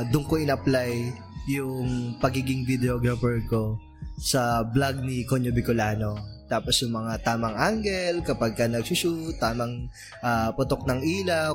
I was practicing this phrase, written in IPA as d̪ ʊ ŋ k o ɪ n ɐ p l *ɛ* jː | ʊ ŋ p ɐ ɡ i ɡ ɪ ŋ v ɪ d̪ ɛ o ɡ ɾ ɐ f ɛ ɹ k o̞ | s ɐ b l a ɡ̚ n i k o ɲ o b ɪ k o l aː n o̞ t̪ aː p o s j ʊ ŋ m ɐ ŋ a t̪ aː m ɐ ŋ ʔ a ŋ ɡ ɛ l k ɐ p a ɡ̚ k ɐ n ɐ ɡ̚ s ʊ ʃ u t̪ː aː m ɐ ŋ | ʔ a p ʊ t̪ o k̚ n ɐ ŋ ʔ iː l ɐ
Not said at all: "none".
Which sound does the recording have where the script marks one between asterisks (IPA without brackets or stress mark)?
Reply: a